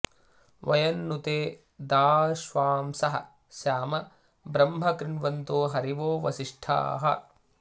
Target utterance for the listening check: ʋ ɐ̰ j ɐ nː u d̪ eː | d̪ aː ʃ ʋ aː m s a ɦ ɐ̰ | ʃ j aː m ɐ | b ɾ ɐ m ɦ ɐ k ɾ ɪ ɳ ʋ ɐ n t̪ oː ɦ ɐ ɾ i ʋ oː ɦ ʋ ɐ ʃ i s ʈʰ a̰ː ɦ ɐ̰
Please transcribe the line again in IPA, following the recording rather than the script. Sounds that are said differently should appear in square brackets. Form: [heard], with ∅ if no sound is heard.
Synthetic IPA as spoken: ʋ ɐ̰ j ɐ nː u [t̪] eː | d̪ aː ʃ ʋ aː m s [ɐ] ɦ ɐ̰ | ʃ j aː m ɐ | b ɾ ɐ m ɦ ɐ k ɾ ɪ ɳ ʋ ɐ n t̪ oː ɦ ɐ ɾ i ʋ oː [∅] ʋ ɐ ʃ i [ʂ] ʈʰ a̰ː ɦ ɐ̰

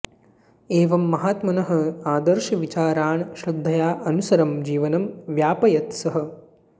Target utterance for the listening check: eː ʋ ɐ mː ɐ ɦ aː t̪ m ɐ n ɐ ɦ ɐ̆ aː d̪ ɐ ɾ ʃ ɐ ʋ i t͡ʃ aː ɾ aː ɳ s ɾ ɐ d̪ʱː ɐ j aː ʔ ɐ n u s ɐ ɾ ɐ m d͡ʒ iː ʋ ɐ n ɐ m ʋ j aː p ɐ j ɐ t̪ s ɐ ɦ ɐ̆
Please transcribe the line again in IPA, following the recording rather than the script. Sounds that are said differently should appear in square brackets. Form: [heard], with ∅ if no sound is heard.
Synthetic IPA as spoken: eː ʋ ɐ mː ɐ ɦ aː t̪ m ɐ n ɐ ɦ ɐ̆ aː d̪ ɐ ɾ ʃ ɐ ʋ i t͡ʃ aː ɾ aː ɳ [ʃ] ɾ ɐ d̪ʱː ɐ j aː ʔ ɐ n u s ɐ ɾ ɐ m d͡ʒ iː ʋ ɐ n ɐ m ʋ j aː p ɐ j ɐ t̪ s ɐ ɦ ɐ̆

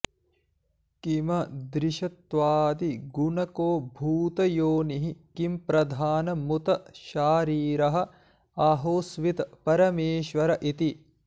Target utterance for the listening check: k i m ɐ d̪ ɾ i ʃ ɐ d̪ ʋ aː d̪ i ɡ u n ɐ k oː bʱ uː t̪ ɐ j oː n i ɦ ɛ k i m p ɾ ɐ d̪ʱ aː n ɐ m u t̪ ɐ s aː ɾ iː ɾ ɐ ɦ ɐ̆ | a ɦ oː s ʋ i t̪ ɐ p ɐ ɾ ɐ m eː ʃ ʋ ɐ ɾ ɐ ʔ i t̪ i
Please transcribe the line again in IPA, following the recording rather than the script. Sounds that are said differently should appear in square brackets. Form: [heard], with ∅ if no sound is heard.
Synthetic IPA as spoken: k i m ɐ d̪ ɾ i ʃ ɐ [t̪] ʋ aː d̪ i ɡ u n ɐ k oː bʱ uː t̪ ɐ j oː n i ɦ [i] k i m p ɾ ɐ d̪ʱ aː n ɐ m u t̪ ɐ [ʃ] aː ɾ iː ɾ ɐ ɦ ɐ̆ | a ɦ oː s ʋ i t̪ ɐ p ɐ ɾ ɐ m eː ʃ ʋ ɐ ɾ ɐ ʔ i t̪ i

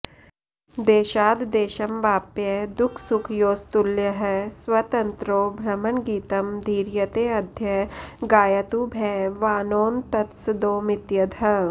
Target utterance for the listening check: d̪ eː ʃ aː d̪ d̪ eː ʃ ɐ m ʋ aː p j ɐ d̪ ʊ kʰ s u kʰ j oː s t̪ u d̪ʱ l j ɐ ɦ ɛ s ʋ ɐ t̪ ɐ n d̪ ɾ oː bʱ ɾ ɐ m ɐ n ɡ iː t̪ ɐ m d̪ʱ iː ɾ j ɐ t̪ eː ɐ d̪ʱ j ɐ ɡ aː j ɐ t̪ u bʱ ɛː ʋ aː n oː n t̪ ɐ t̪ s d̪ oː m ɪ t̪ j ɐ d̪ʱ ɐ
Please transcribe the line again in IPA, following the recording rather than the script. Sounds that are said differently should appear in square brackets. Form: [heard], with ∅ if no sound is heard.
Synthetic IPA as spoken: d̪ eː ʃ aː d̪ d̪ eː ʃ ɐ m ʋ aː p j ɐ d̪ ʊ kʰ s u kʰ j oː s t̪ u [∅] l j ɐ ɦ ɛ s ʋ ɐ t̪ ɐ n [t̪] ɾ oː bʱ ɾ ɐ m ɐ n ɡ iː t̪ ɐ m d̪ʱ iː ɾ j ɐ t̪ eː ɐ d̪ʱ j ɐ ɡ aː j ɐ t̪ u bʱ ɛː ʋ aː n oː n t̪ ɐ t̪ s d̪ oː m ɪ t̪ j ɐ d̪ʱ ɐ

